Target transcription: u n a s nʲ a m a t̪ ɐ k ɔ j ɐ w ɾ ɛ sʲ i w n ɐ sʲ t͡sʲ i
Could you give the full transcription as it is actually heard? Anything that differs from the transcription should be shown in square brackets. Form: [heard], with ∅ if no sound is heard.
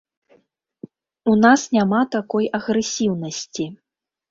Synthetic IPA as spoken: u n a s nʲ a m a t̪ [a] k ɔ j ɐ [ɣ] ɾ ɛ sʲ i w n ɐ sʲ t͡sʲ i

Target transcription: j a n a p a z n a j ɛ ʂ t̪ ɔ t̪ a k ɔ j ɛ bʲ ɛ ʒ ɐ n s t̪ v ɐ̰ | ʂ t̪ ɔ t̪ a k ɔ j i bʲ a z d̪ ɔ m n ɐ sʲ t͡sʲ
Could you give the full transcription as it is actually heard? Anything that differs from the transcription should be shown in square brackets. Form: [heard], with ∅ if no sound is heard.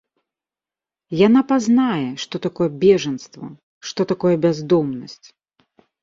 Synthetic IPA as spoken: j a n a p a z n a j ɛ ʂ t̪ ɔ t̪ a k ɔ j ɛ bʲ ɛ [ʐ] ɐ n s t̪ v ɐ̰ | ʂ t̪ ɔ t̪ a k ɔ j [ɛ] bʲ a z d̪ ɔ m n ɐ sʲ t͡sʲ

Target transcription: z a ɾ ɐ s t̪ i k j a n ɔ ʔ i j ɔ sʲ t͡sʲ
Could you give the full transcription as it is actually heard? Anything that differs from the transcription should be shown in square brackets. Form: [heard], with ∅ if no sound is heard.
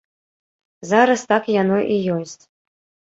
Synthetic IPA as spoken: z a ɾ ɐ s t̪ [a] k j a n ɔ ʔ i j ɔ sʲ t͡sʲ

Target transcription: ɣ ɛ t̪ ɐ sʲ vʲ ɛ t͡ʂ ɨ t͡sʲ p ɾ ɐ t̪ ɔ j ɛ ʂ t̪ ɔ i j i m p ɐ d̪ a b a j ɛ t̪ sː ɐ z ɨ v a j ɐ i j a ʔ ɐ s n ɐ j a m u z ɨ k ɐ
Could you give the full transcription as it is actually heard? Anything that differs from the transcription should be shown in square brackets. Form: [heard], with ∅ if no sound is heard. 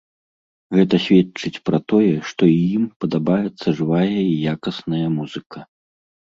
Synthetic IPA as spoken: ɣ ɛ t̪ ɐ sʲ vʲ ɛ t͡ʂ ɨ t͡sʲ p ɾ ɐ t̪ ɔ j ɛ ʂ t̪ ɔ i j i m p ɐ d̪ a b a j ɛ t̪ sː ɐ [ʐ] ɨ v a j ɐ i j a [k] ɐ s n ɐ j [ɐ] m u z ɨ k ɐ

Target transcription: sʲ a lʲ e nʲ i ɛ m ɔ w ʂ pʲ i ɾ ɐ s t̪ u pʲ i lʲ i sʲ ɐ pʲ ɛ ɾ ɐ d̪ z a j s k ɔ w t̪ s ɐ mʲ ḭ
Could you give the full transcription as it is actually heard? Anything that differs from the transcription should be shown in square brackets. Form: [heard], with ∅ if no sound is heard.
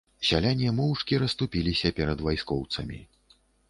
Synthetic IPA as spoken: sʲ a lʲ [a] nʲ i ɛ m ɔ w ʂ [kʲ] i ɾ ɐ s t̪ u pʲ i lʲ i sʲ ɐ pʲ ɛ ɾ ɐ d̪ [v] a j s k ɔ w t̪ s ɐ mʲ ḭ

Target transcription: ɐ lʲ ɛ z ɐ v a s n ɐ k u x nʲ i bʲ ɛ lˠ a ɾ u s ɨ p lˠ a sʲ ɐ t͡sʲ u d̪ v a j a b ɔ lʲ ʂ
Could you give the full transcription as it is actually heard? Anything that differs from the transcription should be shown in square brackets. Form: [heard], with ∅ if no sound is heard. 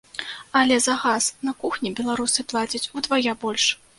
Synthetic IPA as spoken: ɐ lʲ ɛ z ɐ [ɣ] a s n ɐ k u x nʲ i bʲ ɛ lˠ a ɾ u s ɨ p lˠ a [t͡sʲ] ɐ t͡sʲ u d̪ v a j a b ɔ lʲ ʂ

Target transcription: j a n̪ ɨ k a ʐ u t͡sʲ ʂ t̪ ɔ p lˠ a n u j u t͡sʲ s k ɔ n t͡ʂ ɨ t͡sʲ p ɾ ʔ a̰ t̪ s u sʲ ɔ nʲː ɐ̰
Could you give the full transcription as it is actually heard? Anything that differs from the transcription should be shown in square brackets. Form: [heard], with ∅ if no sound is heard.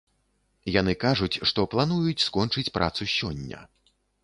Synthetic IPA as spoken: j a n̪ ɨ k a ʐ u t͡sʲ ʂ t̪ ɔ p lˠ a n u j u t͡sʲ s k ɔ n t͡ʂ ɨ t͡sʲ p ɾ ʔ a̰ t̪ s u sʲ ɔ nʲː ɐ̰

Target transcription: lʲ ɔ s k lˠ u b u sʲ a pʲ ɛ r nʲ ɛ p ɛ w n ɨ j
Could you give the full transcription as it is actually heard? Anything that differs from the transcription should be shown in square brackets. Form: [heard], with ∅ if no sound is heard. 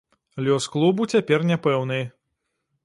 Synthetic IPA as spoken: lʲ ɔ s k lˠ u b u [t͡sʲ] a pʲ ɛ r nʲ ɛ p ɛ w n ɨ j

